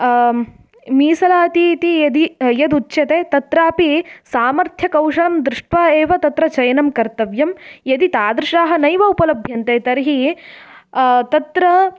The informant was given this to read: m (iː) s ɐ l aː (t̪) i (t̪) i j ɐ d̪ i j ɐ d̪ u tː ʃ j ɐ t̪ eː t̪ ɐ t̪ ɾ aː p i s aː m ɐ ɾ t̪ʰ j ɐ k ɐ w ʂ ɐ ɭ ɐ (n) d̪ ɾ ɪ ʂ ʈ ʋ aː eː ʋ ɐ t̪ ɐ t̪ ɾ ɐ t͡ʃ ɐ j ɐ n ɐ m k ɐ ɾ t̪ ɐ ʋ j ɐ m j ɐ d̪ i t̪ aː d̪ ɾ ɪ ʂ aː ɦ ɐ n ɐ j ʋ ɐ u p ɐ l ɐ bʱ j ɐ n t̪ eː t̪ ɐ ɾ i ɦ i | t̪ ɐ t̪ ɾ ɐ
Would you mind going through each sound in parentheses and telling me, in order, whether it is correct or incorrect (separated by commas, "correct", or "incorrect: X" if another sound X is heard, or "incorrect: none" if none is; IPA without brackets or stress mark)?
correct, correct, correct, incorrect: m